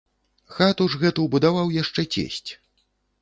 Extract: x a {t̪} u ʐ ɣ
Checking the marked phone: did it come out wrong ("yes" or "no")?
no